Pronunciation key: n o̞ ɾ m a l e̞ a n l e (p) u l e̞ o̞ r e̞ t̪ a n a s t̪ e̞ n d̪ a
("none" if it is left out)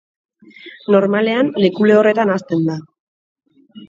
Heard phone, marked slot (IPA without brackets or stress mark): k